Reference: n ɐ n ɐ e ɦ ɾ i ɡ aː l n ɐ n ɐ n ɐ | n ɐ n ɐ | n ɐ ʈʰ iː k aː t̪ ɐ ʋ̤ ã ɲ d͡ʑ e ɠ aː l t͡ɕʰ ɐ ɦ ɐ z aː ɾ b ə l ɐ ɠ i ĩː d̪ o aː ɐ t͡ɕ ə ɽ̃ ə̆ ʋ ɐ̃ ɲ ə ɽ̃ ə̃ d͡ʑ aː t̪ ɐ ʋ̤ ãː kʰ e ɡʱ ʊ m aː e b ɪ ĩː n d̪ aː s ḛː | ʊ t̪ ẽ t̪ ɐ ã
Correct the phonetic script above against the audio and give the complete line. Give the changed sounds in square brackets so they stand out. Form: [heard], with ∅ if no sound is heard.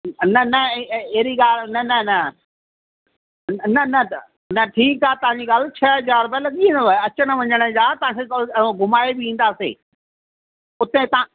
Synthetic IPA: n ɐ n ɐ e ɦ ɾ i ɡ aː l n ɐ n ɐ n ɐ | n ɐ n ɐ | n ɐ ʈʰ iː k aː t̪ ɐ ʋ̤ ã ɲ d͡ʑ [i] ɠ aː l t͡ɕʰ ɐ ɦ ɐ z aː ɾ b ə l ɐ ɠ i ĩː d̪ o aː ɐ t͡ɕ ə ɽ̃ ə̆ ʋ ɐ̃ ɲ ə ɽ̃ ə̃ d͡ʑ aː t̪ ɐ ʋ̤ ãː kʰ e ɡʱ ʊ m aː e b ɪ ĩː n d̪ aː s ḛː | ʊ t̪ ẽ t̪ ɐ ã

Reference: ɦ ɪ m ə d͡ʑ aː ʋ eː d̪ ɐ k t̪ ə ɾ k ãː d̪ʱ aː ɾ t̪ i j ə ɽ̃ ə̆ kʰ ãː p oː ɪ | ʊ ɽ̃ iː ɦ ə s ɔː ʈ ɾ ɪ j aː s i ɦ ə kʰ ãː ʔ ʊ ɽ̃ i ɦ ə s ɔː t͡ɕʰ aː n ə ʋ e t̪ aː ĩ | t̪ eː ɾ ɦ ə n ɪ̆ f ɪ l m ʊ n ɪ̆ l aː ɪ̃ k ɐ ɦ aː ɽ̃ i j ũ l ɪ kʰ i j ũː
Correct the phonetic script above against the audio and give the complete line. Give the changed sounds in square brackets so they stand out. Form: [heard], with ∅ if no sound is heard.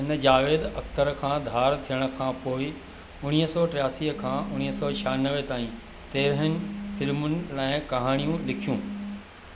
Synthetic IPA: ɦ ɪ [n] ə d͡ʑ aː ʋ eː d̪ ɐ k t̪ ə ɾ [kʰ] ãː d̪ʱ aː ɾ [t̪ʰ] i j ə ɽ̃ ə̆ kʰ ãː p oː ɪ | ʊ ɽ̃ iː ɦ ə s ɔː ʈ ɾ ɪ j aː s i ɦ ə kʰ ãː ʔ ʊ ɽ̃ i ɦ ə s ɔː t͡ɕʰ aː n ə ʋ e t̪ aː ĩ | t̪ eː ɾ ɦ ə n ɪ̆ f ɪ l m ʊ n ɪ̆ l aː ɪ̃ k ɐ ɦ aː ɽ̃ i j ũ l ɪ kʰ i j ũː

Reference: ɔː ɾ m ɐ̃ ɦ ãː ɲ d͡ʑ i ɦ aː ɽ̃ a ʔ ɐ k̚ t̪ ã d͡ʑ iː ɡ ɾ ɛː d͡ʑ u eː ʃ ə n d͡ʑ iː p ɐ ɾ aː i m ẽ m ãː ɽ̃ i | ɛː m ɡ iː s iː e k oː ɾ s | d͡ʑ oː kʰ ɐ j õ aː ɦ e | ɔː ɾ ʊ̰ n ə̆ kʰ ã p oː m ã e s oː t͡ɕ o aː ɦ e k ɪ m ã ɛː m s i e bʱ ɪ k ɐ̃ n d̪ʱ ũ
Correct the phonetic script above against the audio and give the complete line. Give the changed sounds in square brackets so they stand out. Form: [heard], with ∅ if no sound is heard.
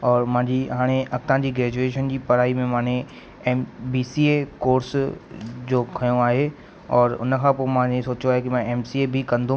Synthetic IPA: ɔː ɾ m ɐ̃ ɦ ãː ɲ d͡ʑ i ɦ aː ɽ̃ [e] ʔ ɐ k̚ t̪ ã d͡ʑ iː ɡ ɾ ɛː d͡ʑ u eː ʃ ə n d͡ʑ iː p ɐ ɾ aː i m ẽ m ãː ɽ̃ [e] | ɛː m [b] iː s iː e k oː ɾ s | d͡ʑ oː kʰ ɐ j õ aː ɦ e | ɔː ɾ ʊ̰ n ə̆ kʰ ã p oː m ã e s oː t͡ɕ o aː ɦ e k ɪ m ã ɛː m s i e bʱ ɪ k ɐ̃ n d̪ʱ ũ

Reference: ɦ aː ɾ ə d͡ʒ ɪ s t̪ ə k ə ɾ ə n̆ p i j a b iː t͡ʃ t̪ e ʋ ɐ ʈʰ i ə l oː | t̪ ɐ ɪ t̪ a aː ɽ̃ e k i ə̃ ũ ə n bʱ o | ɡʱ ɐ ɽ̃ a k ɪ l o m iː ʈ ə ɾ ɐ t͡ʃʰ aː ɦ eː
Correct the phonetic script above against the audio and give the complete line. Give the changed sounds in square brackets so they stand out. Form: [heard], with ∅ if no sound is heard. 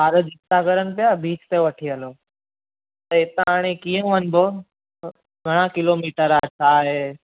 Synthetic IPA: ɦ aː ɾ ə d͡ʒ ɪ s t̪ [a] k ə ɾ ə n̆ p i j a b iː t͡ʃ t̪ e ʋ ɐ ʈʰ i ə l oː | t̪ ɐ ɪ t̪ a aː ɽ̃ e k i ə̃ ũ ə n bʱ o | ɡʱ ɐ ɽ̃ a k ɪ l o m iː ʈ ə ɾ [a] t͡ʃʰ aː ɦ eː

